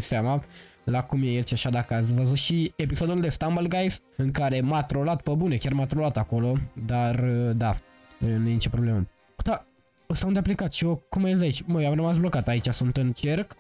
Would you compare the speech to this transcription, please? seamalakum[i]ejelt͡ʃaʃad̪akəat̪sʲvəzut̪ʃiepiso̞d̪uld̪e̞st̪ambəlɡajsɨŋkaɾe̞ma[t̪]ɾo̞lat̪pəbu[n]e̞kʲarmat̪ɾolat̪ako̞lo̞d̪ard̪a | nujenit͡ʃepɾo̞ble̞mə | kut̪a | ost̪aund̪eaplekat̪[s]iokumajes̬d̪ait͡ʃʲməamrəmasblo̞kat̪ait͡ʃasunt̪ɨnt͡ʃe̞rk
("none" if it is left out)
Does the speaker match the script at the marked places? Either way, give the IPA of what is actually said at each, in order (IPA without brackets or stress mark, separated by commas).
j, t̪, n, ʃ